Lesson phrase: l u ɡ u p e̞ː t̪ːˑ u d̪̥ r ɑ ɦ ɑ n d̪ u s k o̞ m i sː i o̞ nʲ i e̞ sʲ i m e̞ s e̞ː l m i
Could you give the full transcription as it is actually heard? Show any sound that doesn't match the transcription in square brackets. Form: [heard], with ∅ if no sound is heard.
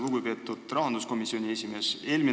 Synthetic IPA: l u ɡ u p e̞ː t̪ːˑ u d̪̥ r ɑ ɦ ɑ n d̪ u s k o̞ m i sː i o̞ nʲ i e̞ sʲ i m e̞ s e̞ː l m i

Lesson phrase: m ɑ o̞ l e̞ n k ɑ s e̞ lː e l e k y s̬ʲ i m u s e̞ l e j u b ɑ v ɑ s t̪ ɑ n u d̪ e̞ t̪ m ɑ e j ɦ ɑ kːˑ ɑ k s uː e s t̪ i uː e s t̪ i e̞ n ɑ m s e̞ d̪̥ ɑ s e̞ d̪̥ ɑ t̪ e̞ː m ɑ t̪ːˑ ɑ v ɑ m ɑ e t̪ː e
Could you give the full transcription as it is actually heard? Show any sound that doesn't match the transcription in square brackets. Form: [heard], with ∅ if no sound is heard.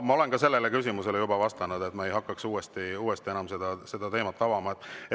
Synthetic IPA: m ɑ o̞ l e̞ n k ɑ s e̞ lː e l e k y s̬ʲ i m u s e̞ l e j u b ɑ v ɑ s t̪ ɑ n u d̪ e̞ t̪ m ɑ e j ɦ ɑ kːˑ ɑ k s uː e s t̪ i uː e s t̪ i e̞ n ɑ m s e̞ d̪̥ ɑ s e̞ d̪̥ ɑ t̪ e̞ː m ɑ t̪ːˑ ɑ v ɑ m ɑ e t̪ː e

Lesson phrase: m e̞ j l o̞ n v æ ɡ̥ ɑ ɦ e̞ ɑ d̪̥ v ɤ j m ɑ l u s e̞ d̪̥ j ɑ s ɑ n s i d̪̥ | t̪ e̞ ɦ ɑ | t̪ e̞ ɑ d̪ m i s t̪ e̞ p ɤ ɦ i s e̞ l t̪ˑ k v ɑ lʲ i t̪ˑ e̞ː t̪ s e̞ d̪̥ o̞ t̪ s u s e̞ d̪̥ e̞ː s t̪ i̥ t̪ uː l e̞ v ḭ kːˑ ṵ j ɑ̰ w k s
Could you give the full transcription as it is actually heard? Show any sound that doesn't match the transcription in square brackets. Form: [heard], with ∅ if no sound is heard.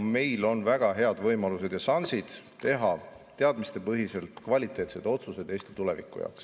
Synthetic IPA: m e̞ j l o̞ n v æ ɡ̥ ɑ ɦ e̞ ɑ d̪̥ v ɤ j m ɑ l u s e̞ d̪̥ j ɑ s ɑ n s i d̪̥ | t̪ e̞ ɦ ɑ | t̪ e̞ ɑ d̪ m i s t̪ e̞ p ɤ ɦ i s e̞ l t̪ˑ k v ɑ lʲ i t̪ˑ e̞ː t̪ s e̞ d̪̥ o̞ t̪ s u s e̞ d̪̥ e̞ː s t̪ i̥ t̪ [u] l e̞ v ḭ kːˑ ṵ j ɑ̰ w k s

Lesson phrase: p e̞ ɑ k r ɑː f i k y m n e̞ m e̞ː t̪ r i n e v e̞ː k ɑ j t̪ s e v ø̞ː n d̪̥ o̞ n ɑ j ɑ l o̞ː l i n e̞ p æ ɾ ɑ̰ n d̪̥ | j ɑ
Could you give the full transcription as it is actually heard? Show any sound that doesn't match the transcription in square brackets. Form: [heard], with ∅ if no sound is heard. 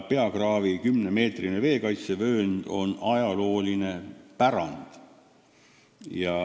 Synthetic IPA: p e̞ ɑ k r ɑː [v] i k y m n e̞ m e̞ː t̪ r i n e v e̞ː k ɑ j t̪ s e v ø̞ː n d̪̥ o̞ n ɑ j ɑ l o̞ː l i n e̞ p æ ɾ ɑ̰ n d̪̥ | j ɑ

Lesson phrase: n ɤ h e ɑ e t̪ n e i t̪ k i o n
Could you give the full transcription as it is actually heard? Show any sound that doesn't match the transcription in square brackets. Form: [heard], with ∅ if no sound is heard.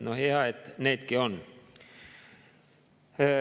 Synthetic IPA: n [o] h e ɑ e t̪ n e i t̪ k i o n

